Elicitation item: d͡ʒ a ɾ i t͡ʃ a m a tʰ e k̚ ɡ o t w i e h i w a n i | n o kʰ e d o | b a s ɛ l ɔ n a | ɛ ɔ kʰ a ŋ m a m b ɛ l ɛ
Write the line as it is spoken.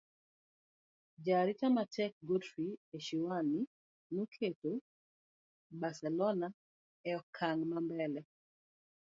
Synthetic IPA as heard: d͡ʒ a ɾ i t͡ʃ a m a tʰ ɛ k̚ ɡ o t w i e ʃ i w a n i | n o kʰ e t o | b a s ɛ l ɔ n a | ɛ ɔ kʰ a ŋ m a m b ɛ l ɛ